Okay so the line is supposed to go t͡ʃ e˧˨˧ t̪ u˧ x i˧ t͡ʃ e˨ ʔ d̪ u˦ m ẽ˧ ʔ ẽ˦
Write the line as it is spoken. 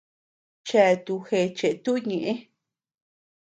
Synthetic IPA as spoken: t͡ʃ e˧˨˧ t̪ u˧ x e˧ t͡ʃ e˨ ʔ t̪ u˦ ɲ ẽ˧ ʔ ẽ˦